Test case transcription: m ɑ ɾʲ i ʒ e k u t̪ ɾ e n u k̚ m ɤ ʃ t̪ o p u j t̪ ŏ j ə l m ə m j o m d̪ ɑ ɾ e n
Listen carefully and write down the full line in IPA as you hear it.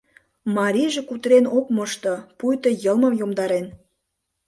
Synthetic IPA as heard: m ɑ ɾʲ i ʒ e k u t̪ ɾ e n o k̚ m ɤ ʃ t̪ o p u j t̪ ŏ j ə l m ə m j o m d̪ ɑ ɾ e n